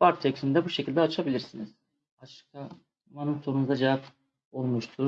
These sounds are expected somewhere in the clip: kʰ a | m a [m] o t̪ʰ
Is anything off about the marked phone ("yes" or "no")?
yes